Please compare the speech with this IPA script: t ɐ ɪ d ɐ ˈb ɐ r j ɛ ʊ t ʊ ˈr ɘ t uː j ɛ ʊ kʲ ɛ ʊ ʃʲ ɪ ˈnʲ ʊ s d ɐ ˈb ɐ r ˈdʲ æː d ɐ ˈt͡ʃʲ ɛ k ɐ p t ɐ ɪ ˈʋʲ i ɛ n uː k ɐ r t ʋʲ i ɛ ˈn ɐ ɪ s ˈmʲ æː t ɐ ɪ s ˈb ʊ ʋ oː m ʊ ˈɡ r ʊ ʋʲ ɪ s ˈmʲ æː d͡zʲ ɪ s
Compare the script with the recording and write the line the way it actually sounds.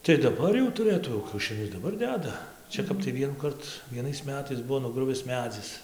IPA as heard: t ɐ ɪ d ɐ ˈb ɐ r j ɛ ʊ t ʊ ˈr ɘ t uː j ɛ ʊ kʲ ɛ ʊ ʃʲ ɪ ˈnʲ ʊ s d ɐ ˈb ɐ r ˈdʲ æː d ɐ ˈt͡ʃʲ ɛ k ɐ p t ɐ ɪ ˈʋʲ i ɛ n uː k ɐ r t ʋʲ i ɛ ˈn ɐ ɪ s ˈmʲ æː t ɐ ɪ s ˈb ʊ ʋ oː n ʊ ˈɡ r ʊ ʋʲ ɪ s ˈmʲ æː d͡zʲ ɪ s